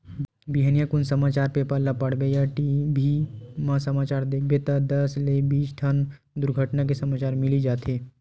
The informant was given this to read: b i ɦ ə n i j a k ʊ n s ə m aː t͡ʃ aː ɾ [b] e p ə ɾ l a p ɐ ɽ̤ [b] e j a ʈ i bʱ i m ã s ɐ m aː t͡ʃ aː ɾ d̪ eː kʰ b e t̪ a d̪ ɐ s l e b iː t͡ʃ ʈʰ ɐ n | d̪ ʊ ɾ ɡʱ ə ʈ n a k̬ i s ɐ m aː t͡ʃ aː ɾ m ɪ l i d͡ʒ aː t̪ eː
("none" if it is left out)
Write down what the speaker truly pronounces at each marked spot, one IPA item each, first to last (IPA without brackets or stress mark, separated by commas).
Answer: p, b